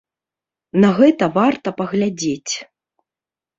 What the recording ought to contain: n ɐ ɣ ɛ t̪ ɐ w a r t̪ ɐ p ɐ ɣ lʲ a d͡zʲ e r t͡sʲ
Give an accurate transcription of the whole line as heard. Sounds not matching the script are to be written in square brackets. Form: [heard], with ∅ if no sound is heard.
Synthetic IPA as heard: n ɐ ɣ ɛ t̪ ɐ [v] a r t̪ ɐ p ɐ ɣ lʲ a d͡zʲ e [∅] t͡sʲ